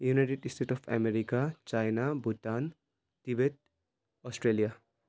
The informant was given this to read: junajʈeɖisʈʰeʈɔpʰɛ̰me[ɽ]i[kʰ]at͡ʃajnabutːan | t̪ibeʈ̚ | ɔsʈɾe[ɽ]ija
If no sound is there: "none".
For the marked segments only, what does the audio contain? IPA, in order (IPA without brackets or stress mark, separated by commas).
ɾ, k, l